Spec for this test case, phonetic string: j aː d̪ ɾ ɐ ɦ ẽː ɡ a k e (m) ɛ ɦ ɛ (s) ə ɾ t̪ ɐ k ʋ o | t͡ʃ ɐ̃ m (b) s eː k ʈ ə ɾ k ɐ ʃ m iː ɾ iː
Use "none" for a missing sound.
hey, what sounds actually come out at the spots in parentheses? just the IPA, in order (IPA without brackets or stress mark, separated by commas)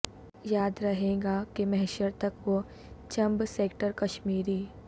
m, ʃ, b